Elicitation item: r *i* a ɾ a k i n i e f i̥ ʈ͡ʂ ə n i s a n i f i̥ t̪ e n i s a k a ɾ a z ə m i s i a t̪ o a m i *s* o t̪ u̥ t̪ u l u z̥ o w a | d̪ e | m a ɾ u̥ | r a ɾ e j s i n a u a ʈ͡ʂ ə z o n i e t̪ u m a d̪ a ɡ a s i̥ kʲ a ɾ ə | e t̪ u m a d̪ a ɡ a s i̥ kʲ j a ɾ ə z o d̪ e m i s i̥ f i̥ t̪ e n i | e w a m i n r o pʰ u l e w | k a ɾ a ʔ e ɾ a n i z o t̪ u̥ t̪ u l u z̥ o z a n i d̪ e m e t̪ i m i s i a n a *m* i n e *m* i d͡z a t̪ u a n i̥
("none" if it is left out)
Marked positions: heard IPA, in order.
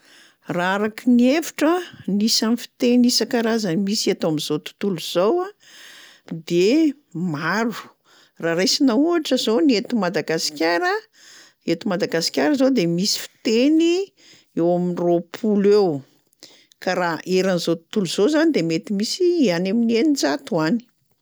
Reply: a, z, m, n

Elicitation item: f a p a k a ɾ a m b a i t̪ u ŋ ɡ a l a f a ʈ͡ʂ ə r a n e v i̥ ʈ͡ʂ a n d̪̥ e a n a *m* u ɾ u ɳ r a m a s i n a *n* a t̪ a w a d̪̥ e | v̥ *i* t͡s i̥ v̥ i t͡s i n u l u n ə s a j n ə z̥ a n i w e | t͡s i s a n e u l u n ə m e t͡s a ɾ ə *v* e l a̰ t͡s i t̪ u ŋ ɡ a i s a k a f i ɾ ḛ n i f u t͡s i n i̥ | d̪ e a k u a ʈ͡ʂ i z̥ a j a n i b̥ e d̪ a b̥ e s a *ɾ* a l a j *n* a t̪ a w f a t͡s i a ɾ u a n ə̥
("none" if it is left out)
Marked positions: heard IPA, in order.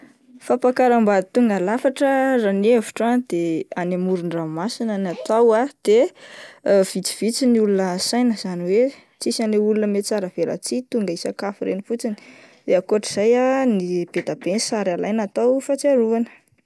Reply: m, n, i, v, ɾ, n

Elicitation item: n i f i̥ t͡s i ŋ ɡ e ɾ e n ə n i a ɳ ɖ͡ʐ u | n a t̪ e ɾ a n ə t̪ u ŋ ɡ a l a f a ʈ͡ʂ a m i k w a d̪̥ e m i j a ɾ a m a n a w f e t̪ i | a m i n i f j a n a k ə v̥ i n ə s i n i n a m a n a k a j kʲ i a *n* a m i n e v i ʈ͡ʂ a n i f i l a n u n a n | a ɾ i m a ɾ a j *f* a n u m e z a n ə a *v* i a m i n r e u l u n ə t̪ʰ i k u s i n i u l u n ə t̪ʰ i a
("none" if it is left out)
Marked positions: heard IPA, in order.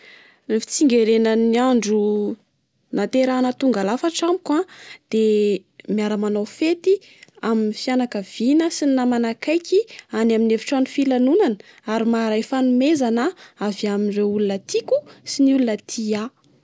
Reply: n, f, v

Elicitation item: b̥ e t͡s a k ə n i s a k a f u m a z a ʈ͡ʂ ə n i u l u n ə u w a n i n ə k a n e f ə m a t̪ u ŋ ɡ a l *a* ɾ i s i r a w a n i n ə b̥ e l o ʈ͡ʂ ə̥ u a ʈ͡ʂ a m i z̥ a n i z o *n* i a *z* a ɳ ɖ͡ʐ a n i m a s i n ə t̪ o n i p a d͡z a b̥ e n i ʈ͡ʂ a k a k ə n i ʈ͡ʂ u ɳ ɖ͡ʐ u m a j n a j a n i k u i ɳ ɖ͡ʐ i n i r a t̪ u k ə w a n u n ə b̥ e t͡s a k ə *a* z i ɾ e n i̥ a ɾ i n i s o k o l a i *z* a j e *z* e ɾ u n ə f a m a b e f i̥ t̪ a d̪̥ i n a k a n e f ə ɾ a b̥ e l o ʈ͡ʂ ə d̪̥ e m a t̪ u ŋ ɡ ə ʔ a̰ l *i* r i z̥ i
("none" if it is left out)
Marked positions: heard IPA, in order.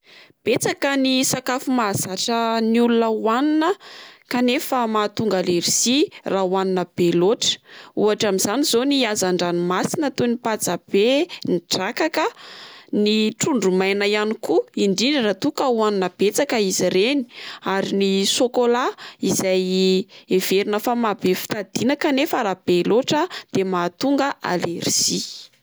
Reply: e, n, z, i, z, v, e

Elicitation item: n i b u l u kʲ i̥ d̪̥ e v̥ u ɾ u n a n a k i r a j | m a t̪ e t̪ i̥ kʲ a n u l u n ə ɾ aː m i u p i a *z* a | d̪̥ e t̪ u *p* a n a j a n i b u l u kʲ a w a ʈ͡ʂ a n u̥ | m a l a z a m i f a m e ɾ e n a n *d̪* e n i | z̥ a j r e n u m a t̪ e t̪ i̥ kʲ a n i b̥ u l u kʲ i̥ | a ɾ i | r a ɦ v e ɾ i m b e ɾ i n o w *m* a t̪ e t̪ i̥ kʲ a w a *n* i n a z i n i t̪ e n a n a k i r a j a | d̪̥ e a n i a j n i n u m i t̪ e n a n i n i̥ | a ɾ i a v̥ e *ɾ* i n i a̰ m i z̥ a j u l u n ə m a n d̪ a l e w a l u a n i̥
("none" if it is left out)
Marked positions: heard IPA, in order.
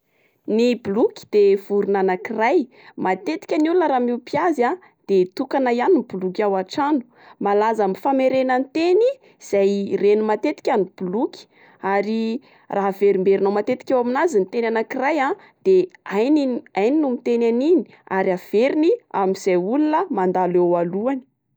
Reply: z, k, t̪, m, m, ɾ

